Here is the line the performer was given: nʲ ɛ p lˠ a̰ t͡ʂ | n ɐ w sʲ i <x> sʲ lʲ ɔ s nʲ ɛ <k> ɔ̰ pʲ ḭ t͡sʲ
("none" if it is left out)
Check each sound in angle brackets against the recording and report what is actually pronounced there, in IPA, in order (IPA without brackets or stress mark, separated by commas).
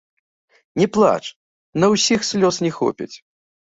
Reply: x, x